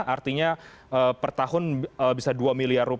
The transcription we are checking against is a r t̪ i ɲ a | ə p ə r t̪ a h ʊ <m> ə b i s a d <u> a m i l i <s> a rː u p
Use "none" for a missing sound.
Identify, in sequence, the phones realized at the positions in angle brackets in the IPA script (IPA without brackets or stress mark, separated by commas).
n, u, none